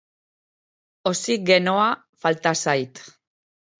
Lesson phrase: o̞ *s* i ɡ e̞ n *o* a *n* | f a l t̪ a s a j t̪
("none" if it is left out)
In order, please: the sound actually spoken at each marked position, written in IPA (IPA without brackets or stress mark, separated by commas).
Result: s, o, none